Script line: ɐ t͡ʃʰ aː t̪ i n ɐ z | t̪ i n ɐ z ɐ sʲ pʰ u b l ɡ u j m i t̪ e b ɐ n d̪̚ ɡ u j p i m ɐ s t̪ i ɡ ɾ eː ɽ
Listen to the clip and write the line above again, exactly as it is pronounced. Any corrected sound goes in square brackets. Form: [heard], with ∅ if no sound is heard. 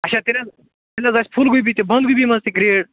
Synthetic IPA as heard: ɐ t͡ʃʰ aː t̪ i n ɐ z | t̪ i n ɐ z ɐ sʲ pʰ u [∅] l ɡ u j [b] i t̪ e b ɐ n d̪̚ ɡ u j [b] i m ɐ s t̪ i ɡ ɾ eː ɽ